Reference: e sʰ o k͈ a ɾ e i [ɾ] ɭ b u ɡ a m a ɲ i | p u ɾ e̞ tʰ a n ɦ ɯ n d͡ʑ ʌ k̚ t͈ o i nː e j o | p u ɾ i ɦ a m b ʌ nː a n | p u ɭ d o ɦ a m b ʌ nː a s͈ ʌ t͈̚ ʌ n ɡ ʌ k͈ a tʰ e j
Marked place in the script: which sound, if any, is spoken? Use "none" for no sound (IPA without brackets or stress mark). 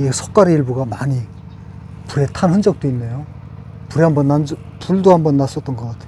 none